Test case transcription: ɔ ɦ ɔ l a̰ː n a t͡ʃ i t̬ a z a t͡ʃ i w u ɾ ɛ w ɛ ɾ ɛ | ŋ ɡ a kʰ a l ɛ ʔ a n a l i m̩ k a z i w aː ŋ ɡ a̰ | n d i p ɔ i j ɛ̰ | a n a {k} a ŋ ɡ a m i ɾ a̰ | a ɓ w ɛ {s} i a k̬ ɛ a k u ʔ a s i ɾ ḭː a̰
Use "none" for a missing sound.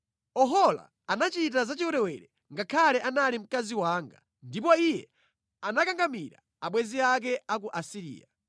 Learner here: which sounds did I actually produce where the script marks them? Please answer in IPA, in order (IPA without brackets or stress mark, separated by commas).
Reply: k, z